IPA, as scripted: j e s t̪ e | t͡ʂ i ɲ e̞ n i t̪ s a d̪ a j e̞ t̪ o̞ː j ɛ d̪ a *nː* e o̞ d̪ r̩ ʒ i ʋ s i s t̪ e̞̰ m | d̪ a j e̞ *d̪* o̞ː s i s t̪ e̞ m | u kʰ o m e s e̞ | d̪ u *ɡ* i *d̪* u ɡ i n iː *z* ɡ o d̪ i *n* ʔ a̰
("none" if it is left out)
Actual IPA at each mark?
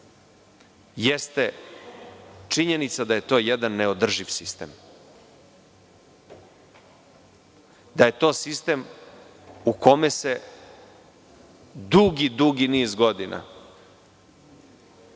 nː, t̪, ɡ, d̪, z, n

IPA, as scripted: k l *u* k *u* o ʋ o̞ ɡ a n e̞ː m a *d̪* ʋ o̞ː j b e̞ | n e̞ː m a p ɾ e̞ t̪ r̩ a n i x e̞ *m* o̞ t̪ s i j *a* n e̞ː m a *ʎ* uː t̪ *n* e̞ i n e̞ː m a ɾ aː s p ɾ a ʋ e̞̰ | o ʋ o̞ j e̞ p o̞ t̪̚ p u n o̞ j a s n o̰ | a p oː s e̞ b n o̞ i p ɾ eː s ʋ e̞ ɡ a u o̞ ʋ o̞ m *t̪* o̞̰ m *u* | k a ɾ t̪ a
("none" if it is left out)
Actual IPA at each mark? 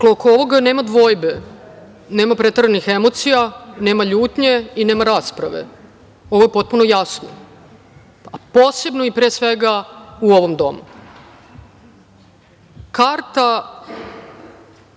o, o, d̪, m, a, ʎ, ɲ, d̪, u

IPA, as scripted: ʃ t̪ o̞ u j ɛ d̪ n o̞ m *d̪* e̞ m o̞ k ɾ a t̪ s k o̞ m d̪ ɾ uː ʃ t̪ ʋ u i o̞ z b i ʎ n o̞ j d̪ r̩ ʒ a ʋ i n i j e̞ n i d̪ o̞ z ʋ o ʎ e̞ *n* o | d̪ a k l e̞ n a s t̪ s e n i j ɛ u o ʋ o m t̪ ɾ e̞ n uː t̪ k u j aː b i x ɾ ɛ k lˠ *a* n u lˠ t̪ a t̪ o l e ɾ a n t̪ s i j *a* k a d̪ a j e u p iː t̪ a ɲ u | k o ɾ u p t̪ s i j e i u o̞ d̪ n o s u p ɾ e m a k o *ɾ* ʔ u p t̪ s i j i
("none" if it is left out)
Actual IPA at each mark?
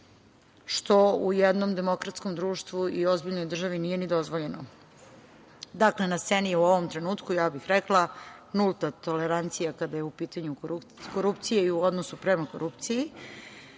d̪, n, a, a, ɾ

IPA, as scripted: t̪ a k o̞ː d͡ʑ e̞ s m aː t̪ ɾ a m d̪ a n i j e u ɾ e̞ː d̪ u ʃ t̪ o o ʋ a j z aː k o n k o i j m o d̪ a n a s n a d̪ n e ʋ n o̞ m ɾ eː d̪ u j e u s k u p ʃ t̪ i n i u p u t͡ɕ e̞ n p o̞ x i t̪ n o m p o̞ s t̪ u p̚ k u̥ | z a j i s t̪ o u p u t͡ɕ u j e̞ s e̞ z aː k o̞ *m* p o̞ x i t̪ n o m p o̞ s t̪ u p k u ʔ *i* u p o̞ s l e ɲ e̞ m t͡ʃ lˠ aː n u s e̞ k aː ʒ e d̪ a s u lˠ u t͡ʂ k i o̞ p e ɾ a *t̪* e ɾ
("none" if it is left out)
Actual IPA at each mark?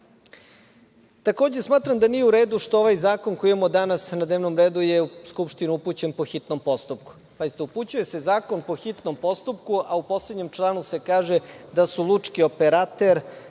n, a, t̪

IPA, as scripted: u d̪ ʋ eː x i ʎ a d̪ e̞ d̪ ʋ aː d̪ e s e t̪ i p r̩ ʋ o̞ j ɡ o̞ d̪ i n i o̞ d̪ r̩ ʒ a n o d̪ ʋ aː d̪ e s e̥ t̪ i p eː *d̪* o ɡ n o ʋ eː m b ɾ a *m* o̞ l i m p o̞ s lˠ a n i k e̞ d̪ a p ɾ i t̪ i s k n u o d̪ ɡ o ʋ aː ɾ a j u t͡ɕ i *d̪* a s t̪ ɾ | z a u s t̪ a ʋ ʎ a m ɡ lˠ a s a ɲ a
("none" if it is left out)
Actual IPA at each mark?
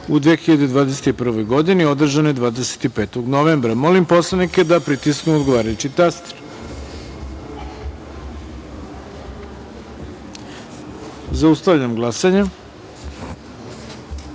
t̪, m, t̪

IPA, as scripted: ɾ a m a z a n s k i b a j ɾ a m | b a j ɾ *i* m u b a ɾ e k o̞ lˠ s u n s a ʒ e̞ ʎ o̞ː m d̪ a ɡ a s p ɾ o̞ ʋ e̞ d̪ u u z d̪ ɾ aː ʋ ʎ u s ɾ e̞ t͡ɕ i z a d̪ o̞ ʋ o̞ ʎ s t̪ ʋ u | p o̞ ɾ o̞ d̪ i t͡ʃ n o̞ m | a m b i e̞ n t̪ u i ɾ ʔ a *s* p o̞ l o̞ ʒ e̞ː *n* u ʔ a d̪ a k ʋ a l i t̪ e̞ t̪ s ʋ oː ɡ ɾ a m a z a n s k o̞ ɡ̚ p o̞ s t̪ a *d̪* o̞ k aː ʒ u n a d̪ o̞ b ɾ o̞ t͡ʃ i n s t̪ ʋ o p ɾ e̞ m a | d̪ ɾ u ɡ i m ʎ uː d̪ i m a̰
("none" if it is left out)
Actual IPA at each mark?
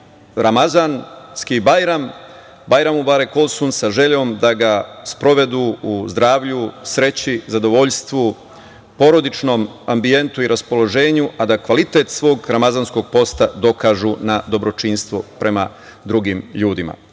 a, s, ɲ, d̪

